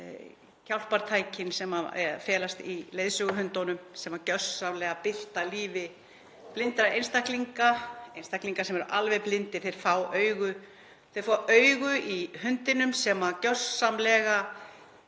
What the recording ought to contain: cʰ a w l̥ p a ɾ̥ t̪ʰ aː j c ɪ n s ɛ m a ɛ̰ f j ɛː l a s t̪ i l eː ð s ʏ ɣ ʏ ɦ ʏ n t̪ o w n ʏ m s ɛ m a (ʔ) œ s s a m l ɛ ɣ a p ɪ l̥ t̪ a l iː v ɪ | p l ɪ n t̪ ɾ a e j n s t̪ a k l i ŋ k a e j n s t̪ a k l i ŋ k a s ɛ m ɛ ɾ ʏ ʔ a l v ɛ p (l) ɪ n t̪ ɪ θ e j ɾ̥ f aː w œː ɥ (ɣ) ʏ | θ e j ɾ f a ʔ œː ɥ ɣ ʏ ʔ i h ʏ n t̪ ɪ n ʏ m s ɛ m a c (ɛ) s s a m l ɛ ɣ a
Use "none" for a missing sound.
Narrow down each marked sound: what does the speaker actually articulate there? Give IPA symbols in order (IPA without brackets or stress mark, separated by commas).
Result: c, l, ɣ, œ